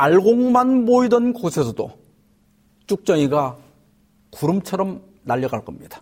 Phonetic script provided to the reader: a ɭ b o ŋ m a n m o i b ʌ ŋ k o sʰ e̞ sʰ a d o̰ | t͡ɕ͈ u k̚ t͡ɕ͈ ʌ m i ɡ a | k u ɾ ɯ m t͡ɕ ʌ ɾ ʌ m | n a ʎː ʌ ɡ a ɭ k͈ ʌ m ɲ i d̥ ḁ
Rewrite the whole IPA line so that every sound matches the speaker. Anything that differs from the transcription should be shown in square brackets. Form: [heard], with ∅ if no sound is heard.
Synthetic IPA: a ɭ [ɡ] o ŋ m a n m o i [d] ʌ [n] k o sʰ e̞ sʰ [ʌ] d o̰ | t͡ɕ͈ u k̚ t͡ɕ͈ ʌ [ŋ] i ɡ a | k u ɾ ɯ m [t͡ɕʰ] ʌ ɾ ʌ m | n a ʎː ʌ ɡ a ɭ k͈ ʌ m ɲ i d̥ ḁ